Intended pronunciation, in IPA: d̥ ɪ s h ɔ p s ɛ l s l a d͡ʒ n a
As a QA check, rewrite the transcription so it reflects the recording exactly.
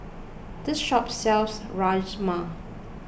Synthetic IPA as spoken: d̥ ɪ s ʃ ɔ p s ɛ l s ɹ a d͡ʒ m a